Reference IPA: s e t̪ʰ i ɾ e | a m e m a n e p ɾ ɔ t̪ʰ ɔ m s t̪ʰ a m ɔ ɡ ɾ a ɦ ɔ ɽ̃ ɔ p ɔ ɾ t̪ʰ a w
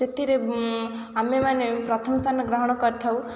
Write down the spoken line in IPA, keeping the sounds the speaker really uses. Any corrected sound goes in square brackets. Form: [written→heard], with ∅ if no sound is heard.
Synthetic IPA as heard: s e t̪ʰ i ɾ e | a m e m a n e p ɾ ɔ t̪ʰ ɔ m s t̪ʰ a [m→n] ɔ ɡ ɾ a ɦ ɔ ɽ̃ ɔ [p→k] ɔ ɾ t̪ʰ a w